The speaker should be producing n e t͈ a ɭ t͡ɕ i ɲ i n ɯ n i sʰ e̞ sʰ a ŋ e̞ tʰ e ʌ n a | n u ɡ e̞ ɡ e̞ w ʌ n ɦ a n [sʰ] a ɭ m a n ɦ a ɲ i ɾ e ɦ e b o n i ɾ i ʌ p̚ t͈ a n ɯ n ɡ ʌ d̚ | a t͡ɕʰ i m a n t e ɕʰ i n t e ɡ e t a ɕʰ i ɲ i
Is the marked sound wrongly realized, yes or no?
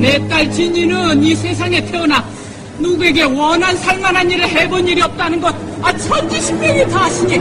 no